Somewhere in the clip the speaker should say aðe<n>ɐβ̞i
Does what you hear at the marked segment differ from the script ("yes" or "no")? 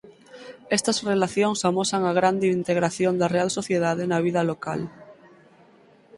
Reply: no